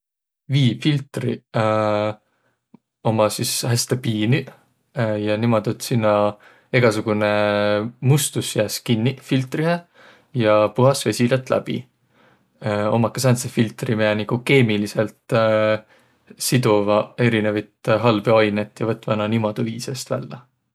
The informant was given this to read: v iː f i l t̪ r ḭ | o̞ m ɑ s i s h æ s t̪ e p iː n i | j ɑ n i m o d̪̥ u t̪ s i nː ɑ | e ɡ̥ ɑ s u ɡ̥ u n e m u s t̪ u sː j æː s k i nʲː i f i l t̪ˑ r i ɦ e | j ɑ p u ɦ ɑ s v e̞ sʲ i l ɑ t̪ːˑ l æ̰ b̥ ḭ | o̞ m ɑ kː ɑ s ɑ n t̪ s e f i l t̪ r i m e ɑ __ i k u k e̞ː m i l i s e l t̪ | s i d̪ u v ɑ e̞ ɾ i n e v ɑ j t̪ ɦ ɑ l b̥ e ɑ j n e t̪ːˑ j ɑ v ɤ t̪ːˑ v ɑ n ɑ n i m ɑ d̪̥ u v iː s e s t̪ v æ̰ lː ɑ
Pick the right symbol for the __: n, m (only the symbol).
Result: n